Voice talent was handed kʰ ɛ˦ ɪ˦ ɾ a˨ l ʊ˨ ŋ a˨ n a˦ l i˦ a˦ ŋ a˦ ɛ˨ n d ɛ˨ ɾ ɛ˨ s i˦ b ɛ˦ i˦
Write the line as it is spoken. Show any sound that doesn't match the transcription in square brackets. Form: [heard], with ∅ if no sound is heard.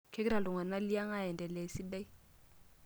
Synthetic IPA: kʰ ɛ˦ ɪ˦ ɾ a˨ l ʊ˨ ŋ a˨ n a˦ l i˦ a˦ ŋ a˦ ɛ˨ n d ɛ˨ [l] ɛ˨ s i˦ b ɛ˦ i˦